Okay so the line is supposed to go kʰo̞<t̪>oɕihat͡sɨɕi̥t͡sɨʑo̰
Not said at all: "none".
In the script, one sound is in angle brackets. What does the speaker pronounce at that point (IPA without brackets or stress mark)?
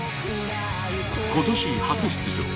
t̪